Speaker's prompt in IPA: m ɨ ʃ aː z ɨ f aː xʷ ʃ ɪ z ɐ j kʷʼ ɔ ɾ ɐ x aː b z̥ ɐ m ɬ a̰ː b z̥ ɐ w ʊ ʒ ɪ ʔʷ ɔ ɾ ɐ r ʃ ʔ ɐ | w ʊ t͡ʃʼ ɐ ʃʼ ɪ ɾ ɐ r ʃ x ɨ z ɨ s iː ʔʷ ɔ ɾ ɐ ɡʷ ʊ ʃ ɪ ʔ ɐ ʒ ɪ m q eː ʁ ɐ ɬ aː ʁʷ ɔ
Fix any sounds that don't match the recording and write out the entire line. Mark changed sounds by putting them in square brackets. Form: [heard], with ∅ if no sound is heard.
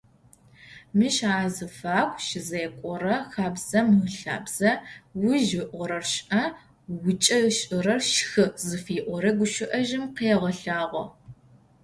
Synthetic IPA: m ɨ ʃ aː z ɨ f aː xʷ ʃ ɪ z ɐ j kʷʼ ɔ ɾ ɐ x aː b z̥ ɐ m ɬ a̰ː b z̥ ɐ w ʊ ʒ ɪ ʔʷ ɔ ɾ ɐ r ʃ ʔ ɐ | w ʊ t͡ʃʼ ɐ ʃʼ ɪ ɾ ɐ r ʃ x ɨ z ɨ [f] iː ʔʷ ɔ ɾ ɐ ɡʷ ʊ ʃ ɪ ʔ ɐ ʒ ɪ m q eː ʁ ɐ ɬ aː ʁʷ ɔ

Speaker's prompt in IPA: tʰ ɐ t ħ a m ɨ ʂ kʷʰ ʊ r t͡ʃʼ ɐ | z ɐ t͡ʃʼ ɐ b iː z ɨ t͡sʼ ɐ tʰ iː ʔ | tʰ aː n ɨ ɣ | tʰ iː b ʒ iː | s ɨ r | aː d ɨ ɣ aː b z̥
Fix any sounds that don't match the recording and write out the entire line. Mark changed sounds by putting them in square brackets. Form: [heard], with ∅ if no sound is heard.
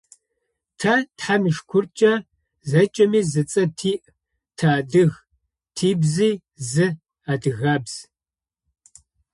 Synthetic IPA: tʰ ɐ t ħ a m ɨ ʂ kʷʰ ʊ r t͡ʃʼ ɐ | z ɐ t͡ʃʼ ɐ [m] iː z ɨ t͡sʼ ɐ tʰ iː ʔ | tʰ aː [d] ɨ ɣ | tʰ iː b [z] iː | [z] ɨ [∅] | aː d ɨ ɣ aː b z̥

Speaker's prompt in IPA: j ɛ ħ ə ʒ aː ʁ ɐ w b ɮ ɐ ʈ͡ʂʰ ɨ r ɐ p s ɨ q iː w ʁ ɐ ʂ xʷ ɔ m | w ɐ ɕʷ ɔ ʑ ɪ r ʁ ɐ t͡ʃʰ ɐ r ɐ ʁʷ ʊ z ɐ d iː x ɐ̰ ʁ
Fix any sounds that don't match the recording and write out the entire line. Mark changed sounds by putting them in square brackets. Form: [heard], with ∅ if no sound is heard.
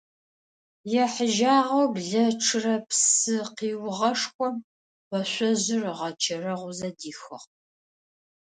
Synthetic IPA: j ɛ ħ ə ʒ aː ʁ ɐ w b ɮ ɐ ʈ͡ʂʰ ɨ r ɐ p s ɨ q iː w ʁ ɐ ʂ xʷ ɔ m | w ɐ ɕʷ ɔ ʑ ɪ r ʁ ɐ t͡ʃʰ ɐ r ɐ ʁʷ ʊ z ɐ d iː x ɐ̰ ʁ

